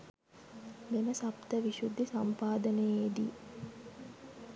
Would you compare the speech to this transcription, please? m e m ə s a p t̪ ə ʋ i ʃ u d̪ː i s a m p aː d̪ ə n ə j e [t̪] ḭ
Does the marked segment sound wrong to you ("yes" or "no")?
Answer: yes